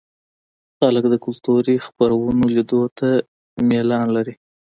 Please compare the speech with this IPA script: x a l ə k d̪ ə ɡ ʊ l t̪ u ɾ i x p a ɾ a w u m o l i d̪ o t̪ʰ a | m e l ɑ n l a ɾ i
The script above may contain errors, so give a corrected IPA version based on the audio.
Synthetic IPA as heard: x a l ə k d̪ ə k ʊ l t̪ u ɾ i x p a ɾ a w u n o l i d̪ o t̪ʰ a | m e l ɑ n l a ɾ i